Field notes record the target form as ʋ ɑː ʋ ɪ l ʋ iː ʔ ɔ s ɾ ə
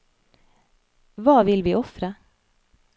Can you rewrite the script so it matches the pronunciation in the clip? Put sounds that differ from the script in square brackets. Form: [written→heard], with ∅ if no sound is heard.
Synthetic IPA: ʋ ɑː ʋ ɪ l ʋ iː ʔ ɔ [s→f] ɾ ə